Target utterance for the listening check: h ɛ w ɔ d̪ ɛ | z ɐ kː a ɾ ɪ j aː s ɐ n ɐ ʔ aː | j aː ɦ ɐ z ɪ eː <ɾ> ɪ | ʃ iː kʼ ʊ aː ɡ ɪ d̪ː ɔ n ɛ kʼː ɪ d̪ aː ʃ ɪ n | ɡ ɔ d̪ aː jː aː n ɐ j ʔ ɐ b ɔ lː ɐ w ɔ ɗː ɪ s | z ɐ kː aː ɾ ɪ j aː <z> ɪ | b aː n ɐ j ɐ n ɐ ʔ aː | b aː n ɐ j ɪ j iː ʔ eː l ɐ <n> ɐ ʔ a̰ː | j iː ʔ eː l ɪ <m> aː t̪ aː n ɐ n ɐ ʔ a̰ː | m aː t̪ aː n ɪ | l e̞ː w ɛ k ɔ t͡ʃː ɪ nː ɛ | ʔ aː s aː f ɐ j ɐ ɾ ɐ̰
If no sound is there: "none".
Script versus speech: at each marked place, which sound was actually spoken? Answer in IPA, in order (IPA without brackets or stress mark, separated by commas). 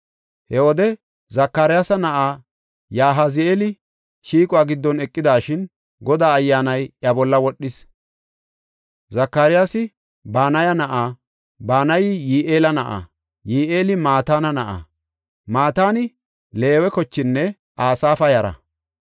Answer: l, s, n, m